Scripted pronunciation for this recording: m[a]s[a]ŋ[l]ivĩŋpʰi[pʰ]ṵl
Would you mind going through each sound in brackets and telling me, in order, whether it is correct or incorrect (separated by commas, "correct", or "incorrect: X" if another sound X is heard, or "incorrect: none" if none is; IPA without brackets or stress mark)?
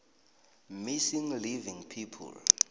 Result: incorrect: i, incorrect: i, correct, correct